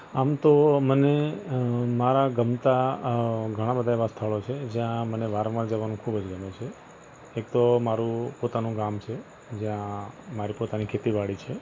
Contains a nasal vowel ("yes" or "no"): yes